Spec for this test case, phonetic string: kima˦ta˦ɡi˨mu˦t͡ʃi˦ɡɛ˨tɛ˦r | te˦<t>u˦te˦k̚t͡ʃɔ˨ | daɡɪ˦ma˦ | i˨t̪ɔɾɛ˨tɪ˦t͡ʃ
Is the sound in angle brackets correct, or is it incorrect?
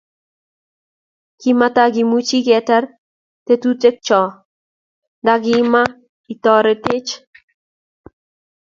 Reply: correct